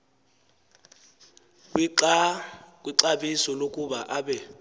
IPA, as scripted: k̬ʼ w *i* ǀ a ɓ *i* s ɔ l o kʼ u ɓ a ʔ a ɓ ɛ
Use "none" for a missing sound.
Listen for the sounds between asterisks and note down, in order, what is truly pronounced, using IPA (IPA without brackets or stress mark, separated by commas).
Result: i, i